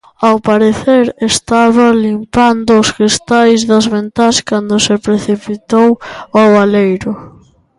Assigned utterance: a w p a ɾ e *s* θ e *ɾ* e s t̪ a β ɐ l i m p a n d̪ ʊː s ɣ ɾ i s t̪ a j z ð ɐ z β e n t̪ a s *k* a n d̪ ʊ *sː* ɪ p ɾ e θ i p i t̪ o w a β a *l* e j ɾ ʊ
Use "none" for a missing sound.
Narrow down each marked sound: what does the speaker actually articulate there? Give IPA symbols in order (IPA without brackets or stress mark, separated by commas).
none, ɾ, k, s, l